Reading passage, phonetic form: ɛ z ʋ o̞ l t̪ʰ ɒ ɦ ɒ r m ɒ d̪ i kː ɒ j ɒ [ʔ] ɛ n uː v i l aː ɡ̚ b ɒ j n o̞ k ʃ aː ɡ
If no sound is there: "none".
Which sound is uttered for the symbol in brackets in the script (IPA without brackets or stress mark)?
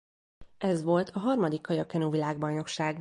k